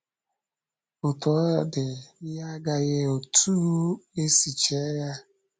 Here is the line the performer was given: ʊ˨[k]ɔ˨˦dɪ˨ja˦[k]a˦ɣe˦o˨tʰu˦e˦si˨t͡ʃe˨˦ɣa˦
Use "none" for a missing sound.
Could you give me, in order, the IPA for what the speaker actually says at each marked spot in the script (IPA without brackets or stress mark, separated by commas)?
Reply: t, ɡ